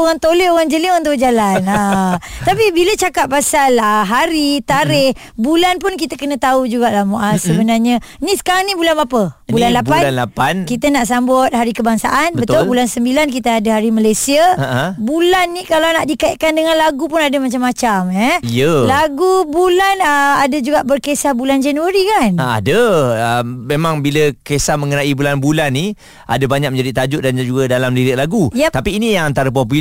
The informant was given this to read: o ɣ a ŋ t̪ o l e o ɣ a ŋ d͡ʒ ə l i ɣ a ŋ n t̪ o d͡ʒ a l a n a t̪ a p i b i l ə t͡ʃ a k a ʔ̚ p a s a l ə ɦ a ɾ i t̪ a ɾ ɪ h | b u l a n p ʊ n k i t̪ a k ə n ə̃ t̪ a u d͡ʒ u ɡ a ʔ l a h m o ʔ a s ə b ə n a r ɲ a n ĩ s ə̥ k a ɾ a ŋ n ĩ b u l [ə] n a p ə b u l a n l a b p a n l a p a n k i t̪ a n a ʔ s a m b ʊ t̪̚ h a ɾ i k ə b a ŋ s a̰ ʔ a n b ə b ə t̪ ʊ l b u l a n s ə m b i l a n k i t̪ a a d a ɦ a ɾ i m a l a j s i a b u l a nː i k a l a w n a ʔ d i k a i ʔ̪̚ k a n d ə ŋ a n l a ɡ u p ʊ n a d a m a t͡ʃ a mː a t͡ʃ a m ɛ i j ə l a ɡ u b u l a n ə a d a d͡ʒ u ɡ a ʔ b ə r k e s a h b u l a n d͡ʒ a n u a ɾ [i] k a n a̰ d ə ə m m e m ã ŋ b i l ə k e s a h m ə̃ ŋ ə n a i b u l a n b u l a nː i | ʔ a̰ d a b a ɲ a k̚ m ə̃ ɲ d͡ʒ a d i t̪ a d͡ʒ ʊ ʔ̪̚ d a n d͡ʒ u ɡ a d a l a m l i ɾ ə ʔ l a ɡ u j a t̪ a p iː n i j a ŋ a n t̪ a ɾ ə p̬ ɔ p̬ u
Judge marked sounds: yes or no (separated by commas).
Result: no, yes